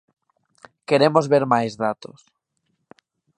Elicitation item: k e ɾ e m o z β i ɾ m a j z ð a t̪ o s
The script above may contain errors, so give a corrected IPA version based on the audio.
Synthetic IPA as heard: k e ɾ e m o z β e ɾ m a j z ð a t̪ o s